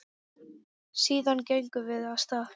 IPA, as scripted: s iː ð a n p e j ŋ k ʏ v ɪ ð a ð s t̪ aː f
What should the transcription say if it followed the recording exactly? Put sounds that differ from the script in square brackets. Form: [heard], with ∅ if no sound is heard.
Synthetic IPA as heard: s iː ð a n [c] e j ŋ k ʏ v ɪ ð a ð s t̪ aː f